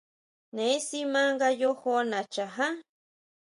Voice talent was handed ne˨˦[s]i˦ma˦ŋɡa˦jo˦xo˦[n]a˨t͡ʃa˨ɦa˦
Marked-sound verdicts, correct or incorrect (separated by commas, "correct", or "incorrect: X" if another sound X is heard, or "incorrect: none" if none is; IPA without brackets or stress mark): correct, correct